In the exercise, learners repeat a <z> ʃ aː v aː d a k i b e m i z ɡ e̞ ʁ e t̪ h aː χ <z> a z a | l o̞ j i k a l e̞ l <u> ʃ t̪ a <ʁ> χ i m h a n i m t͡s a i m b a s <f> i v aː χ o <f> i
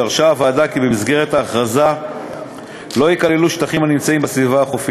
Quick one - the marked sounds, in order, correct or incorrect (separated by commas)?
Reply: incorrect, incorrect, correct, incorrect, incorrect, correct